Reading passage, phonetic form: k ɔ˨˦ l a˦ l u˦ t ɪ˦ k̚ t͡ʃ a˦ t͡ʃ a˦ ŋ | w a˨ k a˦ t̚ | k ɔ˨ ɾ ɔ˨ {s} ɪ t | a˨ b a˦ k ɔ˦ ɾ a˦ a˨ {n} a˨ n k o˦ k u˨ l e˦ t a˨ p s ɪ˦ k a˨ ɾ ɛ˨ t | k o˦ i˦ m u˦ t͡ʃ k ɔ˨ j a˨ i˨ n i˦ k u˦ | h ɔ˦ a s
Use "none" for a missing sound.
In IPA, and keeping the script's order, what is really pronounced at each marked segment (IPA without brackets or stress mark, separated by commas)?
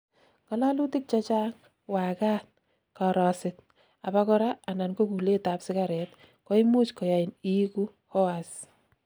s, n